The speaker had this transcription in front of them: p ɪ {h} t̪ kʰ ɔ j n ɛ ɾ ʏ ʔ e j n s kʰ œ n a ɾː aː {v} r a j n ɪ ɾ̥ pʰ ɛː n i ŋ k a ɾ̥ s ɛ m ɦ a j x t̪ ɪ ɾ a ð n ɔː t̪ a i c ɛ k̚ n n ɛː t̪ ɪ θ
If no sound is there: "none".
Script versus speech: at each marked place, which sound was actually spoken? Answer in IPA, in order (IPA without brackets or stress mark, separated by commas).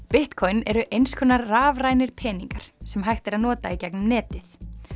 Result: h, v